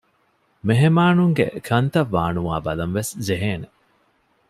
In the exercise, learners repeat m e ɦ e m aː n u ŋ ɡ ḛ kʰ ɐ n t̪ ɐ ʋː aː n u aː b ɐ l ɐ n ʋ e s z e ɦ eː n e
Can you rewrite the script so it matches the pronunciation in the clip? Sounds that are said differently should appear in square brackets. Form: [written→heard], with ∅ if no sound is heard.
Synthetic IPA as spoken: m e ɦ e m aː n u ŋ ɡ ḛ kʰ ɐ n t̪ ɐ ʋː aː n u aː b ɐ l ɐ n ʋ e s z e ɦ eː n e